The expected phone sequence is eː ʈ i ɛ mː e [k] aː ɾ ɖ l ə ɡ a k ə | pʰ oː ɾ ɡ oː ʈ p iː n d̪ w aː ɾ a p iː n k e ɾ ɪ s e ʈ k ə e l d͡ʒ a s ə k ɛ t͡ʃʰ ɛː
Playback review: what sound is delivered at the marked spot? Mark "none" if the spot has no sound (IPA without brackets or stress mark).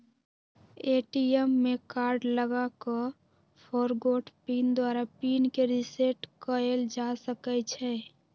k